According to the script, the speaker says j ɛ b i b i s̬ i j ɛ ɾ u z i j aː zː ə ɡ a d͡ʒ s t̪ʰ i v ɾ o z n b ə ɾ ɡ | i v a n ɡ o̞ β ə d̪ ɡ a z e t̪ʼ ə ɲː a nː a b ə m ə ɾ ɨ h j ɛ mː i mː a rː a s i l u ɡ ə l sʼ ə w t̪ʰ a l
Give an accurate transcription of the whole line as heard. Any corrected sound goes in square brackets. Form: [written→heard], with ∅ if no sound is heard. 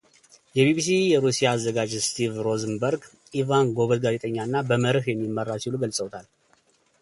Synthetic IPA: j ɛ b i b i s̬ i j ɛ ɾ u [z→s] i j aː zː ə ɡ a d͡ʒ s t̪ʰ i v ɾ o z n b ə ɾ ɡ | i v a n ɡ o̞ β ə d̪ ɡ a z e t̪ʼ ə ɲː a nː a b ə m ə ɾ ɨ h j ɛ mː i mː [a→ə] rː a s i l u ɡ ə l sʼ ə w t̪ʰ a l